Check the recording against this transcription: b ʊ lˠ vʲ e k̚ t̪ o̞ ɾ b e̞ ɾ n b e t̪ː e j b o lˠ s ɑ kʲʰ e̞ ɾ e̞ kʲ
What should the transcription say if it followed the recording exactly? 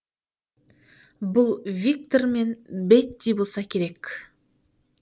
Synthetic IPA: b ʊ lˠ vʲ i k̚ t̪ o̞ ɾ m e̞ n b e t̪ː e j b o lˠ s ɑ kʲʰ e̞ ɾ e̞ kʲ